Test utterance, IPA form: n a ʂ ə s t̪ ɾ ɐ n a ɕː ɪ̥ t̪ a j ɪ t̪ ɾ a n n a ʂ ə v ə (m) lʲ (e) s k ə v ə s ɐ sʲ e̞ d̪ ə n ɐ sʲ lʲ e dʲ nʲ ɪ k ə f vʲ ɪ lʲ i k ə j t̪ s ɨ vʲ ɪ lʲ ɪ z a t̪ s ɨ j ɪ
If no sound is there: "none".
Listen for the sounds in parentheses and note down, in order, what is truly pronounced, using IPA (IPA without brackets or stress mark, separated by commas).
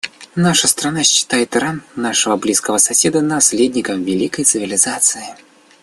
b, i